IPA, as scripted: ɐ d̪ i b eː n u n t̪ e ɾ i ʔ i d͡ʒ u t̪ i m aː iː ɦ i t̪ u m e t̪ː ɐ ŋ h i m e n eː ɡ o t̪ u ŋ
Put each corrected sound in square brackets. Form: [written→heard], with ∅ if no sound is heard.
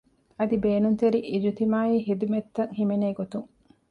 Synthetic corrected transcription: ɐ d̪ i b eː n u n t̪ e ɾ i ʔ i d͡ʒ u t̪ i m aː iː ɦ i [t̪→d̪] u m e t̪ː ɐ ŋ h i m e n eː ɡ o t̪ u ŋ